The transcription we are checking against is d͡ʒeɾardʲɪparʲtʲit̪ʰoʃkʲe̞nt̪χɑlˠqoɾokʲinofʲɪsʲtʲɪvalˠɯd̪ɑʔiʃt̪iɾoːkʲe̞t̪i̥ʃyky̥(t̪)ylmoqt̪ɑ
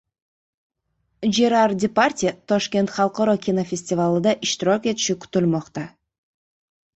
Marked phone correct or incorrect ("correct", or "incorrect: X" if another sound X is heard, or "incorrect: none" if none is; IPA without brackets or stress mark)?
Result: correct